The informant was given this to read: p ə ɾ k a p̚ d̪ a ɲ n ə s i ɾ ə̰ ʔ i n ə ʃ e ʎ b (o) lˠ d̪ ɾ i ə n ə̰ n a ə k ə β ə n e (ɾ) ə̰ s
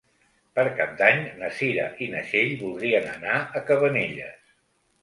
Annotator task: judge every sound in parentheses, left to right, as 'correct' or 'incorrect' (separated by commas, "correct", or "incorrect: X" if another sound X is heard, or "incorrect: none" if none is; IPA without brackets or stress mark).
incorrect: u, incorrect: ʎ